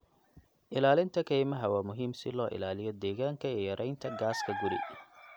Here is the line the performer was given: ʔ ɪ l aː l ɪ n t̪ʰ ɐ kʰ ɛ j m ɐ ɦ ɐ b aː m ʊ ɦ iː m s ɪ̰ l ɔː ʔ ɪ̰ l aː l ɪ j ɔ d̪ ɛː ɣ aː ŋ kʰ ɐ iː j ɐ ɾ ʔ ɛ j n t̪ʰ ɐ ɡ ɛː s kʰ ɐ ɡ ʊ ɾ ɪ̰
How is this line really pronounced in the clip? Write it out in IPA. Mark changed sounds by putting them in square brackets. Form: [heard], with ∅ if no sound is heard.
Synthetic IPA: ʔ ɪ l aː l ɪ n t̪ʰ ɐ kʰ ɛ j m ɐ ɦ ɐ [w] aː m ʊ ɦ iː m s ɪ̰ l ɔː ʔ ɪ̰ l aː l ɪ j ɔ d̪ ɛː ɣ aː ŋ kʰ ɐ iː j ɐ ɾ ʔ ɛ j n t̪ʰ ɐ ɡ [aː] s kʰ ɐ ɡ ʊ ɾ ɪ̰